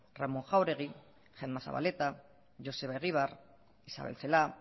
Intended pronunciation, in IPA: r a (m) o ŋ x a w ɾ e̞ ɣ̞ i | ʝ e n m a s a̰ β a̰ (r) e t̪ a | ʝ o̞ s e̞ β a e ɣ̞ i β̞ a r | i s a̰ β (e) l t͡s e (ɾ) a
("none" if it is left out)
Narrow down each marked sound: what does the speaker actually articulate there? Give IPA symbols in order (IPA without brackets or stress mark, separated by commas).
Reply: m, l, e, l